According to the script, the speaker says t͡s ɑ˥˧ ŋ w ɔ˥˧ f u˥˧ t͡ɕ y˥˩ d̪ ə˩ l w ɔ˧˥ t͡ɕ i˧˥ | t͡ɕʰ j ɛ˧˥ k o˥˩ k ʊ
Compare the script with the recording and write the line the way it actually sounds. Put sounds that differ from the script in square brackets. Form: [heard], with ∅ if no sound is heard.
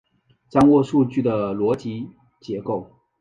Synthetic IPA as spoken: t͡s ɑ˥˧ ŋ w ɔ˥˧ [ʂ] u˥˧ t͡ɕ y˥˩ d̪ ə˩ l w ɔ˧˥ t͡ɕ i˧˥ | [t͡ɕ] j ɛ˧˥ k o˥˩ [∅] ʊ